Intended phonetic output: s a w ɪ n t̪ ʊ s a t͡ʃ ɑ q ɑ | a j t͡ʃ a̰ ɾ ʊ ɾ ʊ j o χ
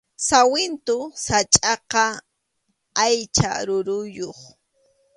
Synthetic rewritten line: s a w ɪ n t̪ ʊ s a t͡ʃʼ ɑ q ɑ | a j t͡ʃ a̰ ɾ ʊ ɾ ʊ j o χ